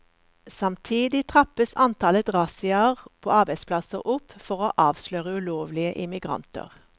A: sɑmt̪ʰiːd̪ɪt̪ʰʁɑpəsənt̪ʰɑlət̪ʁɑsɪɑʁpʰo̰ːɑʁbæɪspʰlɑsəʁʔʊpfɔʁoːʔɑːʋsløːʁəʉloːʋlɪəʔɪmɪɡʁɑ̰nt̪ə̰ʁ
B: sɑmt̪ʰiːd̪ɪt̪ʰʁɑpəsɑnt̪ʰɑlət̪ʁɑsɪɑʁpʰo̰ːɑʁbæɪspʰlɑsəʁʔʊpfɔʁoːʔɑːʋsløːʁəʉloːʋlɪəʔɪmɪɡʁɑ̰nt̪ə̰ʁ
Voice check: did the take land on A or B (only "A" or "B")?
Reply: B